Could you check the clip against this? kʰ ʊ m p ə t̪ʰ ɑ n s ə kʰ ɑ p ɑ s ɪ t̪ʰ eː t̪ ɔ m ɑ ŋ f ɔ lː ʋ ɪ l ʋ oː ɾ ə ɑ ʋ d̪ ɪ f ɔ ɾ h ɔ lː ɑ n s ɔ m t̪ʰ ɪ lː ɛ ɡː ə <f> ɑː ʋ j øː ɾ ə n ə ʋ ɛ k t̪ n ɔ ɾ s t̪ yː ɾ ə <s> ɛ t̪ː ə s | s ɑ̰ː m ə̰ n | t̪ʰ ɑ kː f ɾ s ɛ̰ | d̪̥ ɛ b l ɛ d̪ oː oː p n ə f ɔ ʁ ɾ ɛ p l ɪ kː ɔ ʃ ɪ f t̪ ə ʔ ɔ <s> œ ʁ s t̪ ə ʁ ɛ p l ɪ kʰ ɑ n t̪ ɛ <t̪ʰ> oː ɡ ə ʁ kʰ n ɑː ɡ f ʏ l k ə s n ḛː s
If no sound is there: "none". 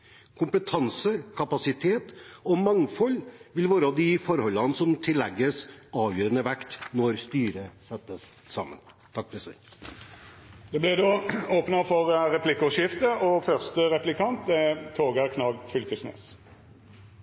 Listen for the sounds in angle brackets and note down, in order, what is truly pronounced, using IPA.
s, s, f, t̪ʰ

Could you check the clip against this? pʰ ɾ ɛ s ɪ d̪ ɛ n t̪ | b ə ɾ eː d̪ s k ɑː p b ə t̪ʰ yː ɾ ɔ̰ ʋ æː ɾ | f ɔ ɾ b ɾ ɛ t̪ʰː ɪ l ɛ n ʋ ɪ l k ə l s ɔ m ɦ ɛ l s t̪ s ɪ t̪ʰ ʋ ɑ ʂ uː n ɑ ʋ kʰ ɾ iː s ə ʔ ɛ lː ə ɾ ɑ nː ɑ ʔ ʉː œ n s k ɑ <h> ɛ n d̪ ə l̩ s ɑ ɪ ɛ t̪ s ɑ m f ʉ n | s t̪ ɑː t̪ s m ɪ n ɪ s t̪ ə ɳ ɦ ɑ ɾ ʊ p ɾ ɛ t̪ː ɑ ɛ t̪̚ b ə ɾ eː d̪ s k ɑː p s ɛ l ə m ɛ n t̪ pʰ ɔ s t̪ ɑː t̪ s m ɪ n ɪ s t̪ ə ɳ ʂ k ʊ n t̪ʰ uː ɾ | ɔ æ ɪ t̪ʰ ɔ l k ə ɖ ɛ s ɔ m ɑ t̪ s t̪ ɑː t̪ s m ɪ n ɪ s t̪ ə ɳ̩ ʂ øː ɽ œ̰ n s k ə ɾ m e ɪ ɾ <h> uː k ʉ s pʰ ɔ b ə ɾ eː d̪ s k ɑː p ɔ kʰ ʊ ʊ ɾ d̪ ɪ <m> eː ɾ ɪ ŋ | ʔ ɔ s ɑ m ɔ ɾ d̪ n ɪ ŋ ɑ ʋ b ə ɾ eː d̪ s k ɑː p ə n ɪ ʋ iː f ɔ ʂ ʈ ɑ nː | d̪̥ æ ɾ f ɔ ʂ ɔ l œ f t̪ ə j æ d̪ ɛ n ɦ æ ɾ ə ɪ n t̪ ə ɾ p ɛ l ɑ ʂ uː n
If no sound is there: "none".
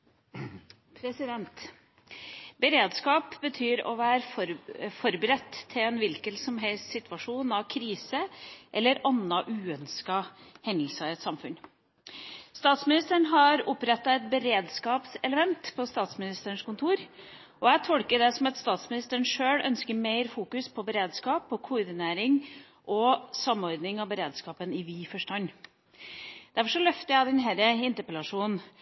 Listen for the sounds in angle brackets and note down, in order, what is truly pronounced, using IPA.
h, f, n

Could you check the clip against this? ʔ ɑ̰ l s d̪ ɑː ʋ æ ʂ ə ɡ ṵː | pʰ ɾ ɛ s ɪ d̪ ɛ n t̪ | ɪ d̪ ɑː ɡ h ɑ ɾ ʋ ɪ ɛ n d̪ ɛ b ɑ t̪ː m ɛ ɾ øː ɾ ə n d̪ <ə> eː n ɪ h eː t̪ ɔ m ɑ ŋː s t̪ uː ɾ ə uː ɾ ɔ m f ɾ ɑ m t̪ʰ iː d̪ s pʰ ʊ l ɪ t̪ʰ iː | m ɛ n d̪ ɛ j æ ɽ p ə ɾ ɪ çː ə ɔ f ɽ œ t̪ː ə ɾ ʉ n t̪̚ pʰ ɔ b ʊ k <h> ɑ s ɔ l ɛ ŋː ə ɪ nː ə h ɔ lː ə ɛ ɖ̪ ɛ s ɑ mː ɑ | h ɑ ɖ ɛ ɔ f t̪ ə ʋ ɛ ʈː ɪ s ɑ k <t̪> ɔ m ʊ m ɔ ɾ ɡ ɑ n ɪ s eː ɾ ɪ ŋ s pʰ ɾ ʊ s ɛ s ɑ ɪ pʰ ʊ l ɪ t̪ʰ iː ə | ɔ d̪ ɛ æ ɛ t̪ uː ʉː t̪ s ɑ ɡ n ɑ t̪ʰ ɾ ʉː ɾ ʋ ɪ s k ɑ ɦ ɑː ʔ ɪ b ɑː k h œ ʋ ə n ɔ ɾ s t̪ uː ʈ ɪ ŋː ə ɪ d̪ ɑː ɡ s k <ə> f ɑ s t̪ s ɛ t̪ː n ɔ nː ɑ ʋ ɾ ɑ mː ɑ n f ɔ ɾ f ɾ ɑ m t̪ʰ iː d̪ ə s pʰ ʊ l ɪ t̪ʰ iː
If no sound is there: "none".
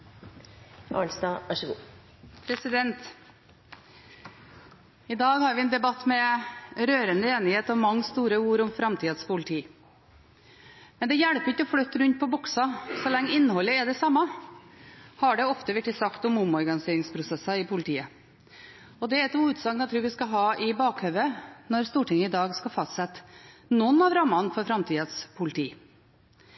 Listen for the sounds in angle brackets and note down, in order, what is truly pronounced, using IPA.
ə, s, t̪, ɑ

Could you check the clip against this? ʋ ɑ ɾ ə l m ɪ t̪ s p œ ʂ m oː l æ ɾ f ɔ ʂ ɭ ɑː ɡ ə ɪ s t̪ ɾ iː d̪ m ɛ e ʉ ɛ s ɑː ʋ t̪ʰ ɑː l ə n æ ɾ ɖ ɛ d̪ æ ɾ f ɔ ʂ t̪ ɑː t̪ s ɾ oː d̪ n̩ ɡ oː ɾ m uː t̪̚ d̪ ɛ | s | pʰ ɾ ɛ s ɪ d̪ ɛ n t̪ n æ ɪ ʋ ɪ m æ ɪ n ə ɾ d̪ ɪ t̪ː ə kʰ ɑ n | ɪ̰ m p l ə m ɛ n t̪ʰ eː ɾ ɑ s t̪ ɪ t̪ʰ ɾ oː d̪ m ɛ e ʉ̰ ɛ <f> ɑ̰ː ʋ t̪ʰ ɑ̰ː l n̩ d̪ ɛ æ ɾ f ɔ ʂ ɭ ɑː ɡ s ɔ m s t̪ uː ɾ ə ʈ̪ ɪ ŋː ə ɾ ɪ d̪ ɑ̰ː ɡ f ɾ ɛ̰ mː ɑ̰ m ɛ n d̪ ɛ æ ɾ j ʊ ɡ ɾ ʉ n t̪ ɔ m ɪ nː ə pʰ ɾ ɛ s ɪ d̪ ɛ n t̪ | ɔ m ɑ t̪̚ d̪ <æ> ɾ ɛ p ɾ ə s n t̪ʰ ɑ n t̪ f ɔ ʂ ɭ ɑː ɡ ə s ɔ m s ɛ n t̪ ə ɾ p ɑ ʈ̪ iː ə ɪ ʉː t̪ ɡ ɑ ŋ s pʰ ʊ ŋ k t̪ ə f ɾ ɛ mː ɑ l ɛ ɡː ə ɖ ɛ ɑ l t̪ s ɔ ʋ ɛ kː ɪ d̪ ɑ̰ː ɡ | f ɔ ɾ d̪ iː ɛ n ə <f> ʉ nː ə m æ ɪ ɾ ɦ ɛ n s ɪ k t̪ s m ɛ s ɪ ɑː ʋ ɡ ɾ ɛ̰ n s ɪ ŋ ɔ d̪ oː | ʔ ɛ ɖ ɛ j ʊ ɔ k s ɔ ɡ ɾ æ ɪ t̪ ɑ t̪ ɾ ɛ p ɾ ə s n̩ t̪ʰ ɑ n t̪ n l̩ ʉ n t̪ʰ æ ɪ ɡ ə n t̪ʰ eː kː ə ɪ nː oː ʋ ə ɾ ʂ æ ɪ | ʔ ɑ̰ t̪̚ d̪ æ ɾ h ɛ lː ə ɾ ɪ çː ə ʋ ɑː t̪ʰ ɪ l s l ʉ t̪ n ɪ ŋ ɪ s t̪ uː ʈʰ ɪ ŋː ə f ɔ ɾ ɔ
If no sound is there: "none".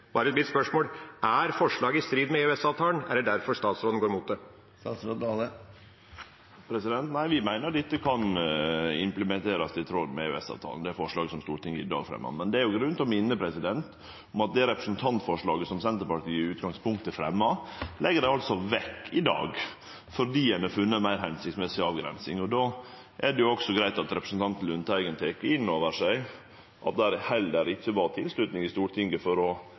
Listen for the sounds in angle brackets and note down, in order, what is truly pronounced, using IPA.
s, ɛ, f

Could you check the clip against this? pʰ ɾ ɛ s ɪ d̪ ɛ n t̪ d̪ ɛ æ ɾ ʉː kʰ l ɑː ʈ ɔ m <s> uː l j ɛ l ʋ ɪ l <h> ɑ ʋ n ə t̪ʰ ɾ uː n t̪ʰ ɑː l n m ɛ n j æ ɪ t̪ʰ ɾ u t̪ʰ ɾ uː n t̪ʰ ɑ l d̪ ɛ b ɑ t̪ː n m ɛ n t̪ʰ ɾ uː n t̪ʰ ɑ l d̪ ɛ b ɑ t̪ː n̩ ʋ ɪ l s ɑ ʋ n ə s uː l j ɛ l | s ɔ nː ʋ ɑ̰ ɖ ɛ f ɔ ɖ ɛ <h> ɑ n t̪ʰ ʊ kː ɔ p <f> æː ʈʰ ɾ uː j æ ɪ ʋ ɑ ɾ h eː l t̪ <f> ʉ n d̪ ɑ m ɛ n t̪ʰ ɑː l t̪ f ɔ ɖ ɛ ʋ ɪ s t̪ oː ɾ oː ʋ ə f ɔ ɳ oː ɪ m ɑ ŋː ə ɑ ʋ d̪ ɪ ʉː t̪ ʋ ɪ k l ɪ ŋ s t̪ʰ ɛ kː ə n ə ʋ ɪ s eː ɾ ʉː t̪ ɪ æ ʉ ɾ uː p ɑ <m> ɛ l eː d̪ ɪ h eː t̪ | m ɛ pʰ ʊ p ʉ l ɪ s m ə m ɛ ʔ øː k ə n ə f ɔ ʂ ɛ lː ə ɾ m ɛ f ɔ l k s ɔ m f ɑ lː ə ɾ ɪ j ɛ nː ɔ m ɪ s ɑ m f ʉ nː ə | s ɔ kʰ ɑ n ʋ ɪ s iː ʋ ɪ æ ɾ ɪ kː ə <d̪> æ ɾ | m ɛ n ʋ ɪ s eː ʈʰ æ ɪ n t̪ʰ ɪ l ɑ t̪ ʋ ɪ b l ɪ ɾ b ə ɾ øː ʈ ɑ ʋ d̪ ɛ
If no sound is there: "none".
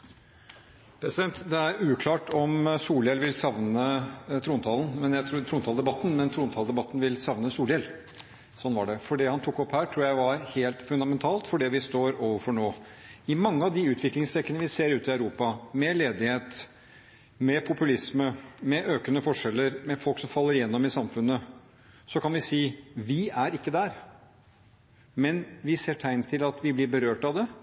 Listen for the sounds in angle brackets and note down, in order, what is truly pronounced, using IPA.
s, s, h, h, f, m, d̪

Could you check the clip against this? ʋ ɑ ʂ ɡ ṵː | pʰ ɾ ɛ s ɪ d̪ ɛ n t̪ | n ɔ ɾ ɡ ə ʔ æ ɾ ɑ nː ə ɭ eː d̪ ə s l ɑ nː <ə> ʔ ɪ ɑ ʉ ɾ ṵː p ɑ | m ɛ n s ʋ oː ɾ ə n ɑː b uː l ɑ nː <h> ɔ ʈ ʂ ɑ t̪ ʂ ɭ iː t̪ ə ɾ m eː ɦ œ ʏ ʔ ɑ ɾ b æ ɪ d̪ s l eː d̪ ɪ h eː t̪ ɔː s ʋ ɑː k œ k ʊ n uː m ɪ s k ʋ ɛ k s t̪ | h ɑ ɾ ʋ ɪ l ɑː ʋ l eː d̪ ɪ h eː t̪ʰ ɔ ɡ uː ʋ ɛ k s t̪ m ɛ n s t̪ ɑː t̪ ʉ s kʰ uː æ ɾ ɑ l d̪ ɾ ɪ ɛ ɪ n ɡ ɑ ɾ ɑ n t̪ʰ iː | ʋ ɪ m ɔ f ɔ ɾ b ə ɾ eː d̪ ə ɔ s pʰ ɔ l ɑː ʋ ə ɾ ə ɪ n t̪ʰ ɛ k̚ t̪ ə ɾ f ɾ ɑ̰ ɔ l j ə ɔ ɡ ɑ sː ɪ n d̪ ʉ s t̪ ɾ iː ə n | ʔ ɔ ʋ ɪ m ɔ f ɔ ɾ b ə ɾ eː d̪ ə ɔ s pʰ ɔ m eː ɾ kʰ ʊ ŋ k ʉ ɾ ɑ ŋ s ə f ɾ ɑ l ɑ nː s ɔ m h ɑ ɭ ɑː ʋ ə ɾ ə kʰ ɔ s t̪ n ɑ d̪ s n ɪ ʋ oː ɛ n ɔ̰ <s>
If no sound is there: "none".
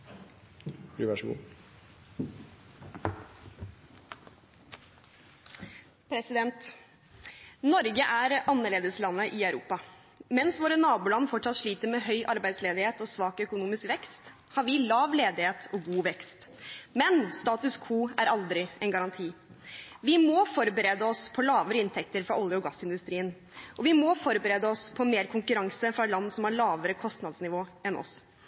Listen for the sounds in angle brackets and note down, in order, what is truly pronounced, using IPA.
ə, f, s

